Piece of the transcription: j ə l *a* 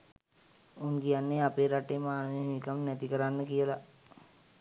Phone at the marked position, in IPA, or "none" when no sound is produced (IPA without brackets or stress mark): a